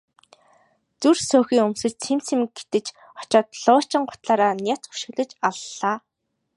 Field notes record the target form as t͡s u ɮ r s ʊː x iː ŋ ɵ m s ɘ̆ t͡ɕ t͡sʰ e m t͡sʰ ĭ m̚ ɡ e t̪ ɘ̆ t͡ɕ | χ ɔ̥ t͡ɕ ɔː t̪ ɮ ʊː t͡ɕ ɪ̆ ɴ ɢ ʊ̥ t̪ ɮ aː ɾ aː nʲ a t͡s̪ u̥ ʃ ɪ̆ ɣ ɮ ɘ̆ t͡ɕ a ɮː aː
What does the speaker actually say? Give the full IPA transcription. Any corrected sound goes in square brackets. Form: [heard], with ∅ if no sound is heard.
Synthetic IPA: t͡s u [∅] r s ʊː x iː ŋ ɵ m s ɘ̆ t͡ɕ t͡sʰ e m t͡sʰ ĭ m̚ ɡ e t̪ ɘ̆ t͡ɕ | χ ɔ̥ t͡ɕ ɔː t̪ ɮ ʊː t͡ɕ ɪ̆ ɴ ɢ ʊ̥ t̪ ɮ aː ɾ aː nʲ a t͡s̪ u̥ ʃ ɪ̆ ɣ ɮ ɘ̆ t͡ɕ a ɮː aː